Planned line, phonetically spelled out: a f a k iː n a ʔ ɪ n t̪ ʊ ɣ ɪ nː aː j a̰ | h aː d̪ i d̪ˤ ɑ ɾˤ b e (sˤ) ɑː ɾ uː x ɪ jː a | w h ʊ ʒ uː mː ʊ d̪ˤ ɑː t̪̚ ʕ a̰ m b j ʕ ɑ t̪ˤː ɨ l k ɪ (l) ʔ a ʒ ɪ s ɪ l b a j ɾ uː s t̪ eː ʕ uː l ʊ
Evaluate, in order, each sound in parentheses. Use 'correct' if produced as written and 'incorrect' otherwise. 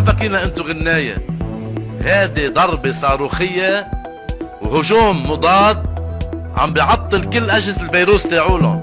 correct, incorrect: lː

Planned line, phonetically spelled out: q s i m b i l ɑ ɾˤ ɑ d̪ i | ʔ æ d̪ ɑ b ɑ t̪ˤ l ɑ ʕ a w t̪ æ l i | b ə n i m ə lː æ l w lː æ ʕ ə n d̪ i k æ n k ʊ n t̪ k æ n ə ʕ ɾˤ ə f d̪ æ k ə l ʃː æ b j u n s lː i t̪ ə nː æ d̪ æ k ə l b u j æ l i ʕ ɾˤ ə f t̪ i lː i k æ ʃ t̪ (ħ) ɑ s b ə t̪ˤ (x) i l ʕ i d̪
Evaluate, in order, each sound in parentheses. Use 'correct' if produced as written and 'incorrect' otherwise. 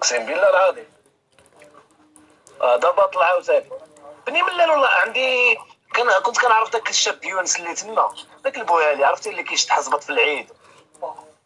correct, incorrect: f

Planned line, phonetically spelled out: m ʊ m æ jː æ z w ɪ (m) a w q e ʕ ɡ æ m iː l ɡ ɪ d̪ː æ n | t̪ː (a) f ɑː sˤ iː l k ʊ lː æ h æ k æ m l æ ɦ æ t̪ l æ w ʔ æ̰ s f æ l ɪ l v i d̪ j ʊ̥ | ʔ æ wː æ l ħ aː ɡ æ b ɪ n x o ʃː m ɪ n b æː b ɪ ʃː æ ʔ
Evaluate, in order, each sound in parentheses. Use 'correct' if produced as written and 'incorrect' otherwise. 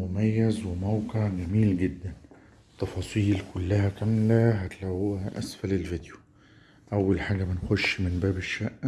correct, incorrect: ɑ

